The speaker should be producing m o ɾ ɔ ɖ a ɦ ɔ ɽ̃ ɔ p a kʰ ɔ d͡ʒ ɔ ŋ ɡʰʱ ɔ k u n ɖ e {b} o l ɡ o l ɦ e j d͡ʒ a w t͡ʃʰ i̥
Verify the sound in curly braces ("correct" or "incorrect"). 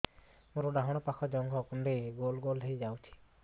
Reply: incorrect